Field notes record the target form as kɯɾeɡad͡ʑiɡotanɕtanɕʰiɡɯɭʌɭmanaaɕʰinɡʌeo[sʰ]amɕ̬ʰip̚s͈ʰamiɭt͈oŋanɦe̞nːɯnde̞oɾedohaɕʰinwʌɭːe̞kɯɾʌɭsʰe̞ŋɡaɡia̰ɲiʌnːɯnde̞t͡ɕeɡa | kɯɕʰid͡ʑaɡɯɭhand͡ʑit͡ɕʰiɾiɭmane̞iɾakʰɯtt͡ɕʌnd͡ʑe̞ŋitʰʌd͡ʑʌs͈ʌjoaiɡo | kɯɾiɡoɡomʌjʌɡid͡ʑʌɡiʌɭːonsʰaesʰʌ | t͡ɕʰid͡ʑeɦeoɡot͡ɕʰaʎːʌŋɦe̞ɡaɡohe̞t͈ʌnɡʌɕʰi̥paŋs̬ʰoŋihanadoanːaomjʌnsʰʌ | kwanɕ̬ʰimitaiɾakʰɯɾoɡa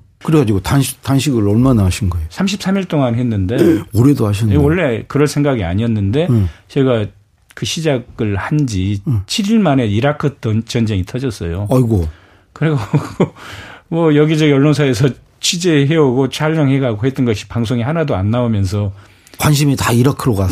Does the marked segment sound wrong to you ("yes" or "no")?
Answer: no